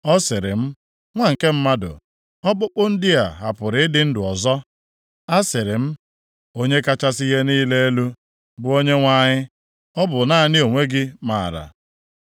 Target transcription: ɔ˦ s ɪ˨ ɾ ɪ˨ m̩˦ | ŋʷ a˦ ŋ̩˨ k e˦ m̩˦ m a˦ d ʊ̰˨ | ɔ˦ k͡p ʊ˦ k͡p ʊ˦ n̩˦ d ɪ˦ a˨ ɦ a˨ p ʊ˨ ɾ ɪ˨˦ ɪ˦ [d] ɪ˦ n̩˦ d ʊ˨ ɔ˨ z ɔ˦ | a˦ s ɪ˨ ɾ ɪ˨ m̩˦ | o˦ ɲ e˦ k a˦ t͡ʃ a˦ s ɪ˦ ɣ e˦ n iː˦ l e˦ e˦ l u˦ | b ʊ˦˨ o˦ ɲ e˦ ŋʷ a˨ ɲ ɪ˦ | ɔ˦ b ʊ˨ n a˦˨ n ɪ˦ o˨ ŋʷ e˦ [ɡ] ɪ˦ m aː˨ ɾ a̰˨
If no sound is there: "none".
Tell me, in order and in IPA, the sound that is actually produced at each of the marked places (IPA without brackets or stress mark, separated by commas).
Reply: d, ɡ